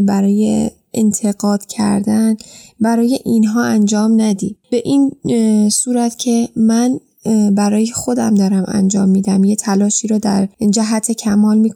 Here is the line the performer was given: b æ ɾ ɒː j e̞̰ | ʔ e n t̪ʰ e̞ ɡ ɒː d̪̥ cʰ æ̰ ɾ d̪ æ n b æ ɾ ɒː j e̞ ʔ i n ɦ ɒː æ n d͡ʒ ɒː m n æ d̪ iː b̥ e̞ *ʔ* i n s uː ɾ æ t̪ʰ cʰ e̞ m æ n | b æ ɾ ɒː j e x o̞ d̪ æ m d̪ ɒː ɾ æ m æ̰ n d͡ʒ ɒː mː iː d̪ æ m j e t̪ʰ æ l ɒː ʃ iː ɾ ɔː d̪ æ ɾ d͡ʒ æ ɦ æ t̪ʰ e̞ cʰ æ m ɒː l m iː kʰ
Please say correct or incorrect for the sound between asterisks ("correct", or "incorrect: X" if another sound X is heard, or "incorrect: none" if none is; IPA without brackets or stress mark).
correct